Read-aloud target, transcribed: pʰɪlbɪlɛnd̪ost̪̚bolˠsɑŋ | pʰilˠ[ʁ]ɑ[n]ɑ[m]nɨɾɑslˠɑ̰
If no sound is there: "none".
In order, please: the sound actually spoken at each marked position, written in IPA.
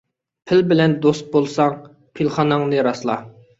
χ, n, ŋ

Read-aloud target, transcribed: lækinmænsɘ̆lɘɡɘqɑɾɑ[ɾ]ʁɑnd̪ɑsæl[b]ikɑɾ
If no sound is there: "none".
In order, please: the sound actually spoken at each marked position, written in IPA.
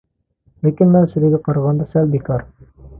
none, b

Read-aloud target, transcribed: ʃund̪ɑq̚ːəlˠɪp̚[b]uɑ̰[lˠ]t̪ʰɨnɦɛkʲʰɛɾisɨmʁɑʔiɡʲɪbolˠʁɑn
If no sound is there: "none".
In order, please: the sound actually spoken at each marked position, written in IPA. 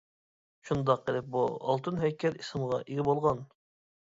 b, lˠ

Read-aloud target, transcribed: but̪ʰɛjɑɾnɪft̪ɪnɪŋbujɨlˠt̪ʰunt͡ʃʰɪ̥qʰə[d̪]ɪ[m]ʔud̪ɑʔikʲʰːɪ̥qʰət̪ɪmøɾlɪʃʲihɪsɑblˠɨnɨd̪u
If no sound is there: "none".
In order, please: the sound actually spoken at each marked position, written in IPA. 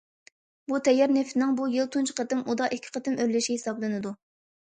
t̪, m

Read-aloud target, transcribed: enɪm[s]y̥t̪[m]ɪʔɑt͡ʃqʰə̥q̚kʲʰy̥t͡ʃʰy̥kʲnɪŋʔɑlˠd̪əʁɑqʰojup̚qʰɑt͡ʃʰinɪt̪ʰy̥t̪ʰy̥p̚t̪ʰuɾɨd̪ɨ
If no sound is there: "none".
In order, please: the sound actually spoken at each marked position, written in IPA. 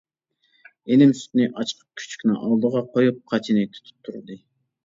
s, n

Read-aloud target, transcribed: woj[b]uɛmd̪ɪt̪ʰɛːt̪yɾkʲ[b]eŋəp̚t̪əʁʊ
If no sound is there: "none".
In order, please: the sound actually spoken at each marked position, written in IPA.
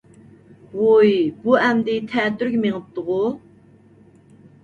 b, m

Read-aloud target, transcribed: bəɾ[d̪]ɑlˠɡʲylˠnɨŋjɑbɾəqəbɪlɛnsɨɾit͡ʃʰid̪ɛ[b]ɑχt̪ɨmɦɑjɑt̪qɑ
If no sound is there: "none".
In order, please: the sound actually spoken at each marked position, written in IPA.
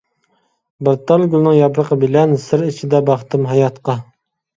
t̪, b

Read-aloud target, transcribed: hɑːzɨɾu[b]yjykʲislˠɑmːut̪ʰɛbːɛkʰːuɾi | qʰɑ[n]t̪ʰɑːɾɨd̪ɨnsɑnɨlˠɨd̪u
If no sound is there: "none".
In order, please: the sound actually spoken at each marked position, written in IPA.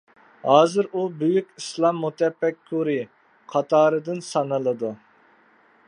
b, none

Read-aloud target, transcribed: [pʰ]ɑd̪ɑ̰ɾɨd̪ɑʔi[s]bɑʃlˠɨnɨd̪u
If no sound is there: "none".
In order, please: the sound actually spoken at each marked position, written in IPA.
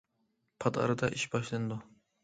pʰ, ʃ

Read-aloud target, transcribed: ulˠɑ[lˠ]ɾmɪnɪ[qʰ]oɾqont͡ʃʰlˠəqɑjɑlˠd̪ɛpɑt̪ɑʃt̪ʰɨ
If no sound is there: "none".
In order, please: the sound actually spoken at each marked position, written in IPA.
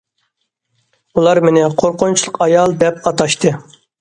none, qʰ

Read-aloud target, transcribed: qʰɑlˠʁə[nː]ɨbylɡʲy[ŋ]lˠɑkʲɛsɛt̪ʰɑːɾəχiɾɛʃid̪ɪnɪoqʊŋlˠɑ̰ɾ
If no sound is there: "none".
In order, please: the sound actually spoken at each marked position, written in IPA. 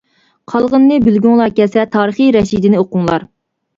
nː, ŋ

